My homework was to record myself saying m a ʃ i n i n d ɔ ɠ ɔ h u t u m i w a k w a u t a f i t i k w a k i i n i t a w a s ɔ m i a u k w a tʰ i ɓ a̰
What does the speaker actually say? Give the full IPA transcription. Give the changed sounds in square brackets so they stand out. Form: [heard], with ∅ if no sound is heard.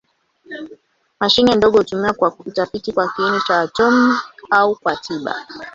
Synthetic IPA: m a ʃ i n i n d ɔ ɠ ɔ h u t u m i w a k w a u t a f i t i k w a k i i n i [t͡ʃ] a w a [t] ɔ m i a u k w a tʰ i ɓ a̰